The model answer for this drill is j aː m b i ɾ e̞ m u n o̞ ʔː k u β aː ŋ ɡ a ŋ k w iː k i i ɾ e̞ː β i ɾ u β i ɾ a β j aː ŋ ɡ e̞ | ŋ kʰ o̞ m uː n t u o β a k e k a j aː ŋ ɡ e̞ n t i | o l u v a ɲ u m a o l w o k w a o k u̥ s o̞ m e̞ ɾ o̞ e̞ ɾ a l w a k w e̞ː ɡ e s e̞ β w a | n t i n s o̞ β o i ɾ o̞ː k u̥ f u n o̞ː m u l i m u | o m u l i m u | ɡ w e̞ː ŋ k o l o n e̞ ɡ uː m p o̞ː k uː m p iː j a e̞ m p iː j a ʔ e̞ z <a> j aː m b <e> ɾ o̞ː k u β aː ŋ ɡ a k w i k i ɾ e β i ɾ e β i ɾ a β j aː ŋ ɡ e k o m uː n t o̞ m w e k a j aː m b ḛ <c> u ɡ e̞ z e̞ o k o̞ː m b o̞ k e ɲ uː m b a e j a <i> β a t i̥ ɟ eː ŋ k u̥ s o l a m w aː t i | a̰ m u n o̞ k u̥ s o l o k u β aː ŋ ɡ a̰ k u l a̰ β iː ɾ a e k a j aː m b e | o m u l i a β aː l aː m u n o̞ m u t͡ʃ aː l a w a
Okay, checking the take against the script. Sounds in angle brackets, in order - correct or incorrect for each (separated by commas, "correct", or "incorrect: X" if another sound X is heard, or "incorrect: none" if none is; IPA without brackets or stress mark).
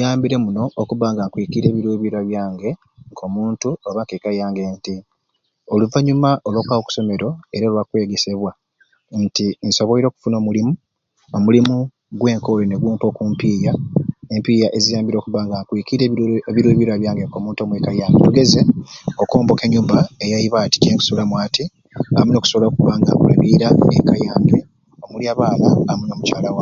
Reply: incorrect: i, incorrect: i, incorrect: t, correct